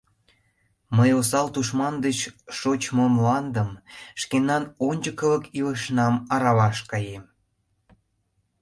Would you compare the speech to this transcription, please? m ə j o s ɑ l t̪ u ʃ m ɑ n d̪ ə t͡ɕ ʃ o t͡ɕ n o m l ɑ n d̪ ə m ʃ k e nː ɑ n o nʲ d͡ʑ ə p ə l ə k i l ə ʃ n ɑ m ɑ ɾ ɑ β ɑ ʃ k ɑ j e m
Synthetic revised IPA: m ə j o s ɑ l t̪ u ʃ m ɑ n d̪ ə t͡ɕ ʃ o t͡ɕ m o m l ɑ n d̪ ə m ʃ k e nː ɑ n o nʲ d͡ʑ ə k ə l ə k i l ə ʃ n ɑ m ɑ ɾ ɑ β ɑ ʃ k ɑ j e m